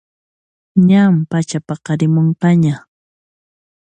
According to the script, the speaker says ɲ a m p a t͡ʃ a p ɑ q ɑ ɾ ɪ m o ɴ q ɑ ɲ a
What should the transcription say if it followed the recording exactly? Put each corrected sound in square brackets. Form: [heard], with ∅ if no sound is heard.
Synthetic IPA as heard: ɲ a m p a t͡ʃ a p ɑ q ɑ ɾ ɪ m o ɴ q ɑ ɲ a